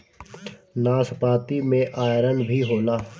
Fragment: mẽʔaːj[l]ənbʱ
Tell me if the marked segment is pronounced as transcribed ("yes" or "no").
no